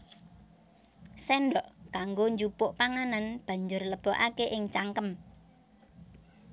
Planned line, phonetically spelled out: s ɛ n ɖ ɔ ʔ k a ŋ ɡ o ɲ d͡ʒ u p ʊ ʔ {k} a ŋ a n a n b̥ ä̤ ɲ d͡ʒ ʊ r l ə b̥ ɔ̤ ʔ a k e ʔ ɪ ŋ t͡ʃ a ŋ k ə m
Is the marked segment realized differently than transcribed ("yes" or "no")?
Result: yes